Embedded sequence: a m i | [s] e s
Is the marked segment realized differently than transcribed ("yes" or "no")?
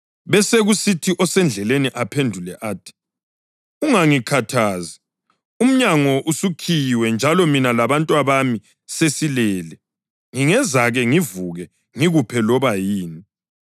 no